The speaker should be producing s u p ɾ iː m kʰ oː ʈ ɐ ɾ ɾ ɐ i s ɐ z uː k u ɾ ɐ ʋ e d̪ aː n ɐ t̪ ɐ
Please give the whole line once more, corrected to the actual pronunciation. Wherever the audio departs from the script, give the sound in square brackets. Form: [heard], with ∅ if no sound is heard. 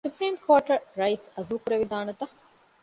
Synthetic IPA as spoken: s u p ɾ iː m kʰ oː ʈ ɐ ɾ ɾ ɐ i s ɐ z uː k u ɾ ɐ ʋ [i] d̪ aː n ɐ t̪ ɐ